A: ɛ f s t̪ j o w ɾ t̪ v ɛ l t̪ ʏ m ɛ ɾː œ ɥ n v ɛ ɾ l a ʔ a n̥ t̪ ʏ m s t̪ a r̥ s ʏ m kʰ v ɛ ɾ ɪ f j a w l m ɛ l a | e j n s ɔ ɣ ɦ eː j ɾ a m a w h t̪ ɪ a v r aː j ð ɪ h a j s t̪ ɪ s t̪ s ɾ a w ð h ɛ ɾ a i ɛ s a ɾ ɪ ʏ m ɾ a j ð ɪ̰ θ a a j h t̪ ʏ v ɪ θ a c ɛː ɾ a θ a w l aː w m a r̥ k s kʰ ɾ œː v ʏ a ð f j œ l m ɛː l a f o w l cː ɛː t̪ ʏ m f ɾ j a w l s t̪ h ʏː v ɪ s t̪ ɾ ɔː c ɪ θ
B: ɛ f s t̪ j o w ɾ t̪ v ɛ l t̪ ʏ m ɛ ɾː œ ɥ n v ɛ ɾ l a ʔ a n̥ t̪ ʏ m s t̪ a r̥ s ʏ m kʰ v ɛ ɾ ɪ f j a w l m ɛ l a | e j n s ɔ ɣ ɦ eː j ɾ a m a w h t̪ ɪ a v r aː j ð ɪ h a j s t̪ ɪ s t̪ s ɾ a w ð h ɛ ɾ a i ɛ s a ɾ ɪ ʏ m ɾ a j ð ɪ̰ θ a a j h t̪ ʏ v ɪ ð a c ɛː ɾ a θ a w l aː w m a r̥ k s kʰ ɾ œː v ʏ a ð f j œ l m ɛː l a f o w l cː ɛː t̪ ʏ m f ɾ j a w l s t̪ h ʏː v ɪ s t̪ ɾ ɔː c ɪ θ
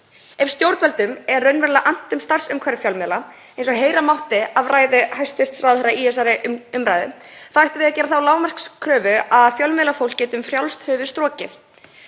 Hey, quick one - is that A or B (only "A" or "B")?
B